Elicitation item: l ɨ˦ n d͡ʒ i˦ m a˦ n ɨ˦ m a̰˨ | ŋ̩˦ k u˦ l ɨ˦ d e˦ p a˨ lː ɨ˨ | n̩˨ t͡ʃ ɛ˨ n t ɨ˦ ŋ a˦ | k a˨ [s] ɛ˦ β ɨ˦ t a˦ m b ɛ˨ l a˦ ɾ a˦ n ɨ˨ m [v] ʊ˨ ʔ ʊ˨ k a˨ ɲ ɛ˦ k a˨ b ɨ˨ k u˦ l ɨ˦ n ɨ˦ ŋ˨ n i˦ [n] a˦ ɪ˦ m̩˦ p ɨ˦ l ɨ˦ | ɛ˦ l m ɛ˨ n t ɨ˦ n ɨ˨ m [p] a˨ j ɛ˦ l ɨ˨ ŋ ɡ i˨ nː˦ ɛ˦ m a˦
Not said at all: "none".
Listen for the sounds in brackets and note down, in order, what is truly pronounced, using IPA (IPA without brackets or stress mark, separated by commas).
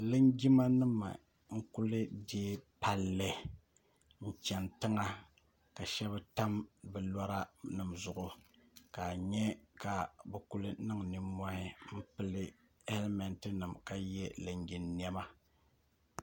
ʃ, z, m, k